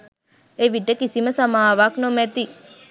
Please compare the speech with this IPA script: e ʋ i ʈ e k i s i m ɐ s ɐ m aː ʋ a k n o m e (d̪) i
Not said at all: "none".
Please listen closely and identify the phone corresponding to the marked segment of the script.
t̪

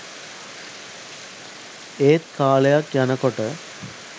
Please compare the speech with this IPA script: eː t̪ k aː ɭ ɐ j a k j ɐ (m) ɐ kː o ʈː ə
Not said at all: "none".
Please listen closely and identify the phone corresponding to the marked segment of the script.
n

